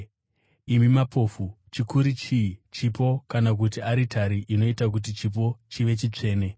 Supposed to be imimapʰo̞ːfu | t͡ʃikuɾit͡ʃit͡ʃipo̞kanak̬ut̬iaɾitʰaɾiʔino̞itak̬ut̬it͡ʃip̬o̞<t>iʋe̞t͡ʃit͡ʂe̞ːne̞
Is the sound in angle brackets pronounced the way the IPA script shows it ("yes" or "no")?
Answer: no